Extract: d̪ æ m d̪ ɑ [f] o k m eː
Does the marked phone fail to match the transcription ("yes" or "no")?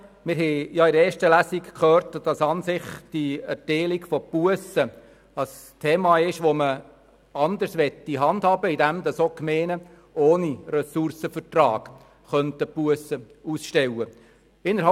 yes